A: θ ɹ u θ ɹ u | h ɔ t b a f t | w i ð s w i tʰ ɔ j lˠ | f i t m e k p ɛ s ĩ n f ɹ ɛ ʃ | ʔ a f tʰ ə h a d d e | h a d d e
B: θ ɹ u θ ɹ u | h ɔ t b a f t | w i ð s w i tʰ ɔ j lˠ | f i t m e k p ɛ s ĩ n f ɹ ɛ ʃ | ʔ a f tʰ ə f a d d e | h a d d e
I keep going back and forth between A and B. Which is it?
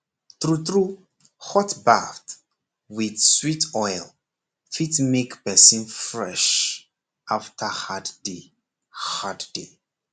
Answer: A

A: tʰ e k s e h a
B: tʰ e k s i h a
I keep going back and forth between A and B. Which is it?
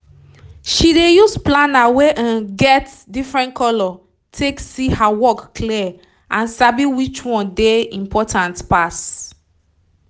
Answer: B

